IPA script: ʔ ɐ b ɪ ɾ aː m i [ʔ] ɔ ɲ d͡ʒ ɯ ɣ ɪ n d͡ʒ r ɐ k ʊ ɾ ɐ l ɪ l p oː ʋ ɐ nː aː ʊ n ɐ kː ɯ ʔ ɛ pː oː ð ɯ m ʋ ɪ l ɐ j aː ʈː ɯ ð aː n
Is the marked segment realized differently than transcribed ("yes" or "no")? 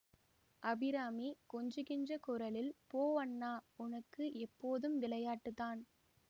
yes